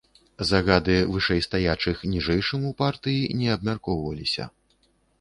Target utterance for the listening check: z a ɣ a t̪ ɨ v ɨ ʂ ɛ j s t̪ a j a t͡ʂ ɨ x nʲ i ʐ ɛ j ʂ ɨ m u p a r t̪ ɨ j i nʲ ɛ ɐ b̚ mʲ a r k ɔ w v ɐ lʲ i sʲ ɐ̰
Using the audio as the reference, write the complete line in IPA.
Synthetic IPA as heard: z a ɣ a d̪ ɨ v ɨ ʂ ɛ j s t̪ a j a t͡ʂ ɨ x nʲ i ʐ ɛ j ʂ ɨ m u p a r t̪ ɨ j i nʲ ɛ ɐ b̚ mʲ a r k ɔ w v ɐ lʲ i sʲ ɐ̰